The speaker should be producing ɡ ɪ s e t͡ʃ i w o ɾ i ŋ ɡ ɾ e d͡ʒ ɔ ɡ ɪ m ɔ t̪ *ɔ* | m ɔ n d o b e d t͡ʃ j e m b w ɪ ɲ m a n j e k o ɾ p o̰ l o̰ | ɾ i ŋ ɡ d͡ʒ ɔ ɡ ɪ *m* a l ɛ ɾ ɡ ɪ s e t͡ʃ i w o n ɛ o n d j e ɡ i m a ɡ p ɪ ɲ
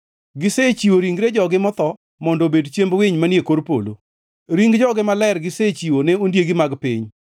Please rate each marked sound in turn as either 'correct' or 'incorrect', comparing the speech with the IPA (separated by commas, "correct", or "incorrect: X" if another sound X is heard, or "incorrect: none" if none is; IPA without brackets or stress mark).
correct, correct